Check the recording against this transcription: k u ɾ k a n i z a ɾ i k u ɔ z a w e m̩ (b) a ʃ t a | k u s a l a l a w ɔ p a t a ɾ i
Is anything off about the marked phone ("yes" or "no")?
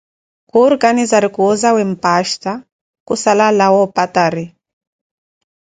yes